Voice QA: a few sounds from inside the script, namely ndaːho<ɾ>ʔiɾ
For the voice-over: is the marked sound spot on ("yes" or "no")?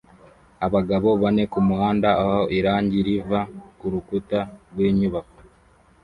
no